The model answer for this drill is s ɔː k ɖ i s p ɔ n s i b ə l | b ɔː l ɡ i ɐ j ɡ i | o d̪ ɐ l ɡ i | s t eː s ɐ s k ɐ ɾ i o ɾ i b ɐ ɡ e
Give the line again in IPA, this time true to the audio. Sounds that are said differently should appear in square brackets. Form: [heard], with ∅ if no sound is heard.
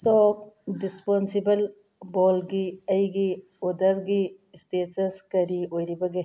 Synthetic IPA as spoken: s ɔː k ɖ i s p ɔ n s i b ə l | b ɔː l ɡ i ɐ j ɡ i | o d̪ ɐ [ɾ] ɡ i | s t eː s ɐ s k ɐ ɾ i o ɾ i b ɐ ɡ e